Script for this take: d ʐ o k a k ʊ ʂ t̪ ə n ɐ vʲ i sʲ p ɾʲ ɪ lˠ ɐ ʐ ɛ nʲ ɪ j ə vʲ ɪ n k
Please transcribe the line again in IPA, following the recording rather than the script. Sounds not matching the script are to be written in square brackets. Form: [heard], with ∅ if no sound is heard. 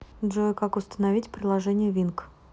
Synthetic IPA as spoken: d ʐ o k a k ʊ [s] t̪ ə n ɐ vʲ i [tʲ] p ɾʲ ɪ lˠ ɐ ʐ ɛ nʲ ɪ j ə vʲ [i] n k